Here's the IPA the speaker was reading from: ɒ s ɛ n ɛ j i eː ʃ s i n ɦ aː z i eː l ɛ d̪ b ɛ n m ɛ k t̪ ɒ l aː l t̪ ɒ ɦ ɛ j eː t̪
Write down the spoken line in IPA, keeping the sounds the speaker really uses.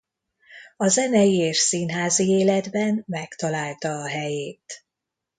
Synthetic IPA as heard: ɒ z ɛ n ɛ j i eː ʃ s i n ɦ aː z i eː l ɛ d̪ b ɛ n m ɛ k t̪ ɒ l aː l t̪ ɒː ɦ ɛ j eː t̪